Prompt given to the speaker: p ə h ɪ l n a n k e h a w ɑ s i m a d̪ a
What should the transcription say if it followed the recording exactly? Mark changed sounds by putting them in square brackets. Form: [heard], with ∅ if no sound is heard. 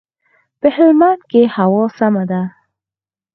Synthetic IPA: p ə h ɪ l [m] a n k e h a w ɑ s [a] m a d̪ a